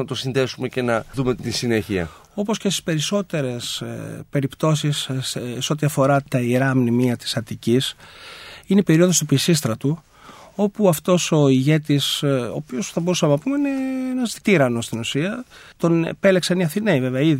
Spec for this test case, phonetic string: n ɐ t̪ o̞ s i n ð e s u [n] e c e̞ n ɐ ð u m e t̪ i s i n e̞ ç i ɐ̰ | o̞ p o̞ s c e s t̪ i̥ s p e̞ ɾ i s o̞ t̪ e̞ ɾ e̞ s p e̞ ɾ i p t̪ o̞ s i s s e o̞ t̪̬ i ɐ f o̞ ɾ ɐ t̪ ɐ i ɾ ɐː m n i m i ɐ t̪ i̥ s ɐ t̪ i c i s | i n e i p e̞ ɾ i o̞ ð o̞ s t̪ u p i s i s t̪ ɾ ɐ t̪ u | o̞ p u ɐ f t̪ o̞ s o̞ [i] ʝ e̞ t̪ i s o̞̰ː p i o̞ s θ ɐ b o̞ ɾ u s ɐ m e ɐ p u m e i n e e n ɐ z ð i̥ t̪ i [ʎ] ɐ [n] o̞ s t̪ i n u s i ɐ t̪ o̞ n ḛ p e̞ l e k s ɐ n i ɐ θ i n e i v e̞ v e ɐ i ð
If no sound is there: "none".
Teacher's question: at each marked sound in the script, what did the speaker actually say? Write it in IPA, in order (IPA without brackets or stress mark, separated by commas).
m, i, ɾ, n